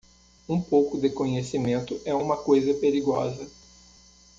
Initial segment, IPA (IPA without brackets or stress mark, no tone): ũ